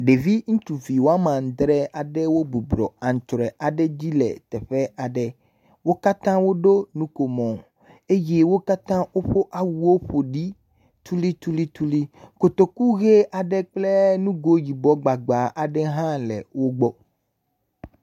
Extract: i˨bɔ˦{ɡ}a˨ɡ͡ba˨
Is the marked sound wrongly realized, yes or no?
yes